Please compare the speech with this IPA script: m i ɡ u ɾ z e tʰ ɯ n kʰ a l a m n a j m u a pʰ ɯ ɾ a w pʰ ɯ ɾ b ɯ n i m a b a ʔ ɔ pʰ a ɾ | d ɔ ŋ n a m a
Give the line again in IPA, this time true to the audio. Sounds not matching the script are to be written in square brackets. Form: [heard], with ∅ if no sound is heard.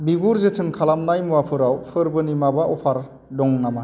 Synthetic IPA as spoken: [b] i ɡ u ɾ z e tʰ ɯ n kʰ a l a m n a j m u a pʰ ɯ ɾ a w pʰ ɯ ɾ b ɯ n i m a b a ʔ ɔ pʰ a ɾ | d ɔ ŋ n a m a